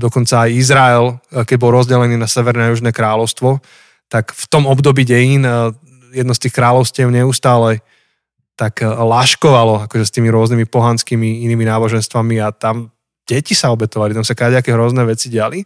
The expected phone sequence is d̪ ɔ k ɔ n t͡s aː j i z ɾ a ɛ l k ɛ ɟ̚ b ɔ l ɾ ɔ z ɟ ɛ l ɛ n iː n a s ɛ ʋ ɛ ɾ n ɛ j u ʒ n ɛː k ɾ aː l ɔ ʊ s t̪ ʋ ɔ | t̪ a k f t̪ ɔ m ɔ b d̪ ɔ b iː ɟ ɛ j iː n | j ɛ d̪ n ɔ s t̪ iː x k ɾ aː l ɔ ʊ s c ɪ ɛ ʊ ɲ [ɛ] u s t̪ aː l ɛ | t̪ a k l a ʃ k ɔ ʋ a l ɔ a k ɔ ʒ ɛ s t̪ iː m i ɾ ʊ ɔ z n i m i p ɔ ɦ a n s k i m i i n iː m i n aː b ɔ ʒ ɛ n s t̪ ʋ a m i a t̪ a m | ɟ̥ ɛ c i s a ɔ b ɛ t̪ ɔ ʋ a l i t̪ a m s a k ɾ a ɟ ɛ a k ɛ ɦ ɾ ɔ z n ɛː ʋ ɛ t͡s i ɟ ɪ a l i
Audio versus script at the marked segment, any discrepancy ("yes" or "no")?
no